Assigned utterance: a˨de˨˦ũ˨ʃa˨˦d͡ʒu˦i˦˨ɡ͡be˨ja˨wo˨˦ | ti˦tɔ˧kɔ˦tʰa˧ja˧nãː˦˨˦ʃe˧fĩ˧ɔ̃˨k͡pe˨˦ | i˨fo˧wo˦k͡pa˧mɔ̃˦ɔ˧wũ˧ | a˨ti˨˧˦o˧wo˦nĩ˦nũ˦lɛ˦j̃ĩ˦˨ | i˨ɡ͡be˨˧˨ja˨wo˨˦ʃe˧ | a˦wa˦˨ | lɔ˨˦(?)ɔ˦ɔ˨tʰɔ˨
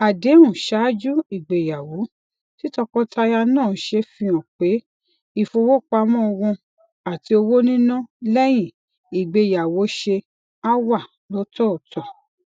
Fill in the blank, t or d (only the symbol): t